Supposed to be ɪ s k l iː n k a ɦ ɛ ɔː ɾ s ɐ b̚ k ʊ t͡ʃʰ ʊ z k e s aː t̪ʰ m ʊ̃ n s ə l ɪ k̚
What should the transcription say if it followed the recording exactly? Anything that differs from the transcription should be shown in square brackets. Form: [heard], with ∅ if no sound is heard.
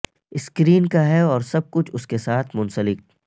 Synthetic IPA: ɪ s k [ɾ] iː n k a ɦ ɛ ɔː ɾ s ɐ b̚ k ʊ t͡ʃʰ ʊ [s] k e s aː t̪ʰ m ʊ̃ n s ə l ɪ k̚